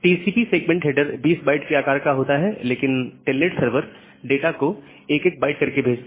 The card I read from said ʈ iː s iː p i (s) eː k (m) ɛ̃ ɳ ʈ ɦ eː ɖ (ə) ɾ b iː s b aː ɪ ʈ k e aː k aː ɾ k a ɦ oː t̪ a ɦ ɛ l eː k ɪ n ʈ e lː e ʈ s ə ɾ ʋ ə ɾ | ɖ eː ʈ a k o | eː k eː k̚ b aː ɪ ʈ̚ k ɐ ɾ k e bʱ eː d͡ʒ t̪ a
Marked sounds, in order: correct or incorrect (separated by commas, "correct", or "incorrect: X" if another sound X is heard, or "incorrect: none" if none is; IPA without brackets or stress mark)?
correct, correct, correct